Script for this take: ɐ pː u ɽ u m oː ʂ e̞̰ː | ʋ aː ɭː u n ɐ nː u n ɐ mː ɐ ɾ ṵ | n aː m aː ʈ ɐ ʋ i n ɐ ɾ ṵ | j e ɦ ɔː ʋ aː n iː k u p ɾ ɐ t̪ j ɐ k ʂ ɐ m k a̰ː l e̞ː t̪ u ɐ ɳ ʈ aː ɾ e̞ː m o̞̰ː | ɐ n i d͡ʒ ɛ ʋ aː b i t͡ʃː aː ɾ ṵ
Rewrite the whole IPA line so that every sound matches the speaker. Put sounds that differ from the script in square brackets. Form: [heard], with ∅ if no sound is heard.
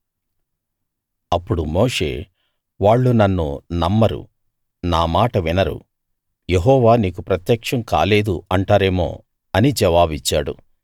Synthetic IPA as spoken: ɐ pː u ɽ u m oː ʂ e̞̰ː | ʋ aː ɭː u n ɐ nː u n ɐ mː ɐ ɾ ṵ | n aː m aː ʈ ɐ ʋ i n ɐ ɾ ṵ | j e ɦ ɔː ʋ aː n iː k u p ɾ ɐ t̪ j ɐ k ʂ ɐ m k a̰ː l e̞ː [d̪] u ɐ ɳ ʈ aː ɾ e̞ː m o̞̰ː | ɐ n i d͡ʒ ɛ ʋ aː b i t͡ʃː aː [ɽ] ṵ

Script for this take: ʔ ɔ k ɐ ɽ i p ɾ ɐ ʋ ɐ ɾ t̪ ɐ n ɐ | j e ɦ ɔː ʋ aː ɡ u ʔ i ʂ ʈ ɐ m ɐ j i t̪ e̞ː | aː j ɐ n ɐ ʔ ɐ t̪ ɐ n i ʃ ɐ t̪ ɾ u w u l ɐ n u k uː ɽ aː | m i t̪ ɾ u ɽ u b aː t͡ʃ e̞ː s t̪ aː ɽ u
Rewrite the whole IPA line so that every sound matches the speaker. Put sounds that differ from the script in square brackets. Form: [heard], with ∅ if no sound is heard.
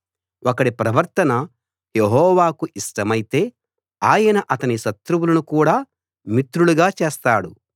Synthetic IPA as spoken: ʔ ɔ k ɐ ɽ i p ɾ ɐ ʋ ɐ ɾ t̪ ɐ n ɐ | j e ɦ ɔː ʋ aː [k] u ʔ i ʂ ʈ ɐ m ɐ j i t̪ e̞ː | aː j ɐ n ɐ ʔ ɐ t̪ ɐ n i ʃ ɐ t̪ ɾ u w u l ɐ n u k uː ɽ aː | m i t̪ ɾ u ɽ u [ɡ] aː t͡ʃ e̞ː s t̪ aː ɽ u

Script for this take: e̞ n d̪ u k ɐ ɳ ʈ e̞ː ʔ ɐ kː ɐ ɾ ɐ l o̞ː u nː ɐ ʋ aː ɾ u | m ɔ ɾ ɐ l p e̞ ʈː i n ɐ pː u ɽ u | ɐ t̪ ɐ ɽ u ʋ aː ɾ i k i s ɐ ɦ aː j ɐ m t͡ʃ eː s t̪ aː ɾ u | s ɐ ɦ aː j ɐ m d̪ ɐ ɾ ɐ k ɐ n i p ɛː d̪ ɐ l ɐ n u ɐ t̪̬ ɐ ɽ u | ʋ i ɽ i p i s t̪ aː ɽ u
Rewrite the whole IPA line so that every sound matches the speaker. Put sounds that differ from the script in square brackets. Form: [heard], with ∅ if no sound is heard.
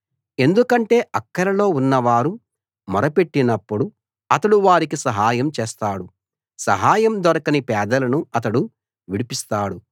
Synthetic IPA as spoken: e̞ n d̪ u k ɐ ɳ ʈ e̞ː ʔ ɐ kː ɐ ɾ ɐ l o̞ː u nː ɐ ʋ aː ɾ u | m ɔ ɾ ɐ [∅] p e̞ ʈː i n ɐ pː u ɽ u | ɐ t̪ ɐ ɽ u ʋ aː ɾ i k i s ɐ ɦ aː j ɐ m t͡ʃ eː s t̪ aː [ɽ] u | s ɐ ɦ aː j ɐ m d̪ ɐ ɾ ɐ k ɐ n i p ɛː d̪ ɐ l ɐ n u ɐ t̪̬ ɐ ɽ u | ʋ i ɽ i p i s t̪ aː ɽ u

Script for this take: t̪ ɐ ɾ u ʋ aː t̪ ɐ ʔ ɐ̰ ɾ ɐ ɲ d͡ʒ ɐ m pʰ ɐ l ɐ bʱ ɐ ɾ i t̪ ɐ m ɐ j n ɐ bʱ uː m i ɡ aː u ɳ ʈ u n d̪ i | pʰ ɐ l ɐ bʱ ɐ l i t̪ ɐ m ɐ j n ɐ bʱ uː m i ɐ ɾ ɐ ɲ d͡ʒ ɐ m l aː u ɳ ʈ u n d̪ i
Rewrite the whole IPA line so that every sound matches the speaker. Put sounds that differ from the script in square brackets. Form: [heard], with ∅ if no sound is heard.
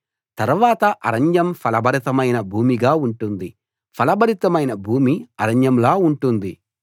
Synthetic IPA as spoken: t̪ ɐ ɾ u ʋ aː t̪ ɐ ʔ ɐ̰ ɾ ɐ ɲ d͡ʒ ɐ m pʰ ɐ l ɐ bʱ ɐ ɾ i t̪ ɐ m ɐ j n ɐ bʱ uː m i ɡ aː u ɳ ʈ u n d̪ i | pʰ ɐ l ɐ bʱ ɐ [ɾ] i t̪ ɐ m ɐ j n ɐ bʱ uː m i ɐ ɾ ɐ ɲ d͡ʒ ɐ m l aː u ɳ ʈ u n d̪ i

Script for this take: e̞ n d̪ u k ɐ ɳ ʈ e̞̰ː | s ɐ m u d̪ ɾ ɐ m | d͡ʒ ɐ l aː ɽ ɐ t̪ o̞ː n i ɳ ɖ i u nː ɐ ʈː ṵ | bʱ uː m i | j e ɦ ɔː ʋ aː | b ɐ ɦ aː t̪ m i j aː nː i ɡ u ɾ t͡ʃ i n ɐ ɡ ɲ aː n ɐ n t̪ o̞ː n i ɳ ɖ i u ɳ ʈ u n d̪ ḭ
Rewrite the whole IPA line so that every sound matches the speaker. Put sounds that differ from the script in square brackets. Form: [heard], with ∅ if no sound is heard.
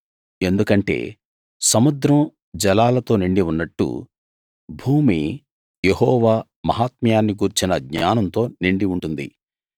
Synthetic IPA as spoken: e̞ n d̪ u k ɐ ɳ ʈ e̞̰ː | s ɐ m u d̪ ɾ ɐ m | d͡ʒ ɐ l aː [l] ɐ t̪ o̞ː n i ɳ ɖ i u nː ɐ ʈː ṵ | bʱ uː m i | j e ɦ ɔː ʋ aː | [m] ɐ ɦ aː t̪ m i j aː nː i ɡ u ɾ t͡ʃ i n ɐ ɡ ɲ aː n ɐ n t̪ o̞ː n i ɳ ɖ i u ɳ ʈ u n d̪ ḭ

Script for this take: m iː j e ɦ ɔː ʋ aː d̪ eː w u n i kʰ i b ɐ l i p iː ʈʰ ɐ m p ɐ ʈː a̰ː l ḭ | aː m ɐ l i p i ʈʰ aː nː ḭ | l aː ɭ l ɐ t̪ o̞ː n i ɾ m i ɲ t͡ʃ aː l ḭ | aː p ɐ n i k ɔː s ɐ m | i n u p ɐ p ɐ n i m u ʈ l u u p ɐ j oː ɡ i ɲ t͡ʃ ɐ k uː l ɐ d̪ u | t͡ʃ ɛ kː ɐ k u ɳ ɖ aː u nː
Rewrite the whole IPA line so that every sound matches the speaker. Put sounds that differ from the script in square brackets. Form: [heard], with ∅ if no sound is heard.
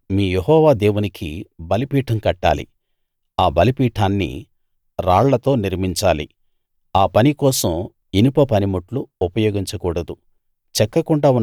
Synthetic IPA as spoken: m iː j e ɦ ɔː ʋ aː d̪ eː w u n i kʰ i b ɐ l i p iː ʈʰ ɐ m [k] ɐ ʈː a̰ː l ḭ | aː [b] ɐ l i p [iː] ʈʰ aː nː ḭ | [ɾ] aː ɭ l ɐ t̪ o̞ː n i ɾ m i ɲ t͡ʃ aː l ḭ | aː p ɐ n i k ɔː s ɐ m | i n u p ɐ p ɐ n i m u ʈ l u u p ɐ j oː ɡ i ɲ t͡ʃ ɐ k uː [ɽ] ɐ d̪ u | t͡ʃ ɛ kː ɐ k u ɳ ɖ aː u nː

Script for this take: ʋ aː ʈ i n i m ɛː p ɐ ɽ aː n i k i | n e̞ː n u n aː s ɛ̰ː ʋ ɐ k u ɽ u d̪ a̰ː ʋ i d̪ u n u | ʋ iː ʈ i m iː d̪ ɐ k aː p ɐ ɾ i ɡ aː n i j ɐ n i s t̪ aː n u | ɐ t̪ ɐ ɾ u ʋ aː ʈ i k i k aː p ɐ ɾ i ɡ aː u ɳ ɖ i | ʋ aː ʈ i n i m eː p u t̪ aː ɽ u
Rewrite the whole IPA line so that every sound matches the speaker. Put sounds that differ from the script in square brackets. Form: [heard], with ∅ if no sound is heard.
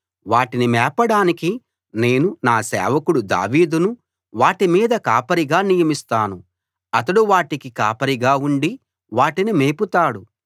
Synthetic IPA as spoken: ʋ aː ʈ i n i m ɛː p ɐ ɽ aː n i k i | n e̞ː n u n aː s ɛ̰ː ʋ ɐ k u ɽ u d̪ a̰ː ʋ [iː] d̪ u n u | ʋ [aː] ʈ i m iː d̪ ɐ k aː p ɐ ɾ i ɡ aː n i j ɐ [m] i s t̪ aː n u | ɐ t̪ ɐ [ɽ] u ʋ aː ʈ i k i k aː p ɐ ɾ i ɡ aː u ɳ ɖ i | ʋ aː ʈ i n i m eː p u t̪ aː ɽ u

